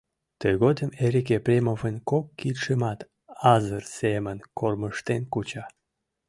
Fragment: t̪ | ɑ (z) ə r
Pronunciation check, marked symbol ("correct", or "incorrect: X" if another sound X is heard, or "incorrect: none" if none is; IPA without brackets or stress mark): correct